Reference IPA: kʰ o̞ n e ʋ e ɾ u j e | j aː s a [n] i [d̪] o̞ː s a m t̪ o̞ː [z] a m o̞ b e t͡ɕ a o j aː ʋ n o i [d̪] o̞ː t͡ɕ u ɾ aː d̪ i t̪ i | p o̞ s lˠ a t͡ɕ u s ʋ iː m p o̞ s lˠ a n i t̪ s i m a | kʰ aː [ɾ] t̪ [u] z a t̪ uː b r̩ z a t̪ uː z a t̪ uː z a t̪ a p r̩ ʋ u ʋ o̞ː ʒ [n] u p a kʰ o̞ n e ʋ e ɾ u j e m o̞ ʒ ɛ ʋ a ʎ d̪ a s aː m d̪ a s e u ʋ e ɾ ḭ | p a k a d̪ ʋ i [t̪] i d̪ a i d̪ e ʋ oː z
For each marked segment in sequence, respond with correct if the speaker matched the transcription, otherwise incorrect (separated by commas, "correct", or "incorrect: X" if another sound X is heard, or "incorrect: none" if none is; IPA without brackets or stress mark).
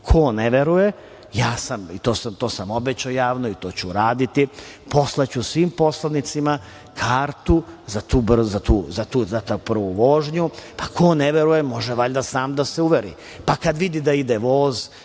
incorrect: m, incorrect: t̪, incorrect: s, incorrect: t̪, correct, correct, incorrect: ɲ, incorrect: d̪